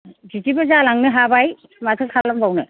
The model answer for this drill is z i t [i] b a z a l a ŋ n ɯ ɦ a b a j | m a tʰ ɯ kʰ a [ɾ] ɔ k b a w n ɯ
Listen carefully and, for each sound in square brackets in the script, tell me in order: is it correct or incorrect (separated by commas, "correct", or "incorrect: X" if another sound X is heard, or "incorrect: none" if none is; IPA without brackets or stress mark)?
correct, incorrect: l